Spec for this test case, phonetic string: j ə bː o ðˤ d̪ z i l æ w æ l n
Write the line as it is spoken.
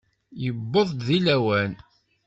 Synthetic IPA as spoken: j ə bː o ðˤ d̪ ð i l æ w æ n